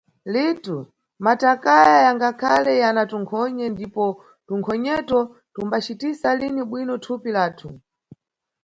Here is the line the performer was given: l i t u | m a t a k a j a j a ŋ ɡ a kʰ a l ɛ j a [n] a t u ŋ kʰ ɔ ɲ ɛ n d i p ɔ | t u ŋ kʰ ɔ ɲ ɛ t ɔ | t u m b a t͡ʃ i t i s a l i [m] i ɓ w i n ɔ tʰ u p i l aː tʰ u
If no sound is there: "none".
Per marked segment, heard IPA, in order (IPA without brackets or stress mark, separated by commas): n, n